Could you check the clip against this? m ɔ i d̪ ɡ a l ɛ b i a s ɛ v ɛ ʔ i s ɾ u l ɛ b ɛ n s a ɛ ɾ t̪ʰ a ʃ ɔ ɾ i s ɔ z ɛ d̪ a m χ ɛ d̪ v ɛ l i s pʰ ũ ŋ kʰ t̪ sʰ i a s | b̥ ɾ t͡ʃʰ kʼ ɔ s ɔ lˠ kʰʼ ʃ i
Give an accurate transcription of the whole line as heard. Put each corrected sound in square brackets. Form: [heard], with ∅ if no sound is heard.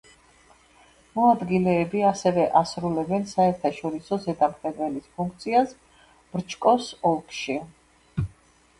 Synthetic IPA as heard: m ɔ [a] d̪ ɡ [i] l [ɛː] b i a s ɛ v ɛ ʔ [a] s ɾ u l ɛ b ɛ n s a ɛ ɾ t̪ʰ a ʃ ɔ ɾ i s ɔ z ɛ d̪ a m χ ɛ d̪ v ɛ l i s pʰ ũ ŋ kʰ t̪ sʰ i a s | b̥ ɾ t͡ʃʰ kʼ ɔ s ɔ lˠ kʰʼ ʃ i